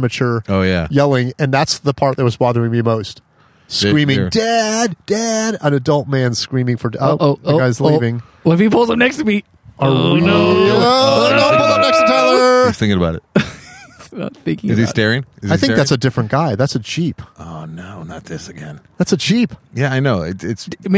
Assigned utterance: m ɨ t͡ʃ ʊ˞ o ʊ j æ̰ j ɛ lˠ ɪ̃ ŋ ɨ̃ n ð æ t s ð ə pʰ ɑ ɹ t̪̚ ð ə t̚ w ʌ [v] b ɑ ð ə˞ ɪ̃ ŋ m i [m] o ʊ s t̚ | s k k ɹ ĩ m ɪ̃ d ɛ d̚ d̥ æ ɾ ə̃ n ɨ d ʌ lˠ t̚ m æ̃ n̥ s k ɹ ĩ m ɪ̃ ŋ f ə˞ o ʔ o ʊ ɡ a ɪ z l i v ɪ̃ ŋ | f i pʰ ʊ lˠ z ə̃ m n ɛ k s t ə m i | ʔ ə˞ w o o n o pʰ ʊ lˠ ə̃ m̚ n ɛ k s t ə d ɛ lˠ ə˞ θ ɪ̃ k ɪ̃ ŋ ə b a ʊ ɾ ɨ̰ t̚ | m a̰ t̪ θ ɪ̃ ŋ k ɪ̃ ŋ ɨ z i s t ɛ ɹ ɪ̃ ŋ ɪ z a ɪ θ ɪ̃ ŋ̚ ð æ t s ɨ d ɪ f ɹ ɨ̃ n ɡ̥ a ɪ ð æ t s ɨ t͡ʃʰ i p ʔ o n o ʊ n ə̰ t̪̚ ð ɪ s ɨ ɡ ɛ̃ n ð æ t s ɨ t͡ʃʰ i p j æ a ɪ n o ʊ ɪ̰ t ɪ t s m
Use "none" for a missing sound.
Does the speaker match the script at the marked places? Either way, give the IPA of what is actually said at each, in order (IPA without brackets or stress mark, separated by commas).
z, m